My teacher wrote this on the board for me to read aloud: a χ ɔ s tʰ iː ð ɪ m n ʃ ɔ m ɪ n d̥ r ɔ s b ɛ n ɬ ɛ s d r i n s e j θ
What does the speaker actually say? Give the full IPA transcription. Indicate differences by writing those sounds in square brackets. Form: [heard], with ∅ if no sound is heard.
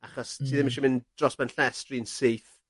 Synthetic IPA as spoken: a χ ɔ s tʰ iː ð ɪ m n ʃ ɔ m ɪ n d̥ r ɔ s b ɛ n ɬ ɛ s [t] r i n s e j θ